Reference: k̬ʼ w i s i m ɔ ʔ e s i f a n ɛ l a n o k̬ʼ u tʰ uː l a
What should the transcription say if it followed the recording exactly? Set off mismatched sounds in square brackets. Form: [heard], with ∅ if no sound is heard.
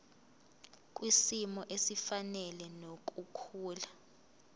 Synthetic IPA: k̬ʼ w i s i m ɔ ʔ e s i f a n ɛ l [ɛ] n o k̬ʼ u [kʰ] uː l a